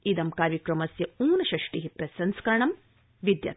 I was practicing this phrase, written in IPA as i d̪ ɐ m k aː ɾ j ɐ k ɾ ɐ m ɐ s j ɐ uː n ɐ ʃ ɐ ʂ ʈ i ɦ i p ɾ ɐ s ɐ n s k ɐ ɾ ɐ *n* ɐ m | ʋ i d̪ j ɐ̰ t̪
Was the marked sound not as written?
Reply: yes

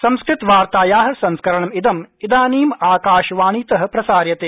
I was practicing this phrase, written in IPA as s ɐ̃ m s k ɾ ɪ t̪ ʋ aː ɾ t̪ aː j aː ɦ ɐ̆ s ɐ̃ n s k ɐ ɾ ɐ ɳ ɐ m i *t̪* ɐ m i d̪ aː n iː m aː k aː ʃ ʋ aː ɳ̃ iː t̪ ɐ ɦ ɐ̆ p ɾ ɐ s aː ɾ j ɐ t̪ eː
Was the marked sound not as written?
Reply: yes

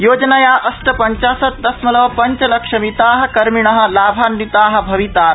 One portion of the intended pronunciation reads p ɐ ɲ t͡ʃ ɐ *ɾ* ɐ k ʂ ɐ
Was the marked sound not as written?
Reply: yes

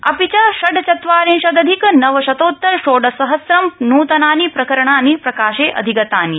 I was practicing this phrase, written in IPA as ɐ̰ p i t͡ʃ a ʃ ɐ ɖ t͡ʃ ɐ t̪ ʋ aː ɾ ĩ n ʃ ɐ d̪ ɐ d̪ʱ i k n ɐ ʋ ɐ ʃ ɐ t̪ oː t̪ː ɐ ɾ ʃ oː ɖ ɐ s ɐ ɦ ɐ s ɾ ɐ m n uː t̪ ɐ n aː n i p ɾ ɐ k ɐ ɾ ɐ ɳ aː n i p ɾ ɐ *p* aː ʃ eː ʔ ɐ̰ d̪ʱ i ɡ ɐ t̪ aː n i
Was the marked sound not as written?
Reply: yes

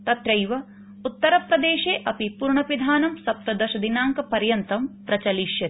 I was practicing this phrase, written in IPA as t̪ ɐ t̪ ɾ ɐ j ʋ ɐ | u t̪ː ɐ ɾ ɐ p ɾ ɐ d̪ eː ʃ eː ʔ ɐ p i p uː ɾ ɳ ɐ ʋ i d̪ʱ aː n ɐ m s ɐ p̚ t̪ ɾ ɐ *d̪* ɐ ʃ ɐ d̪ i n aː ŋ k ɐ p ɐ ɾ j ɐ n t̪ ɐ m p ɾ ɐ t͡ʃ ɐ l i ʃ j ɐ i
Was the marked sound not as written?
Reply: no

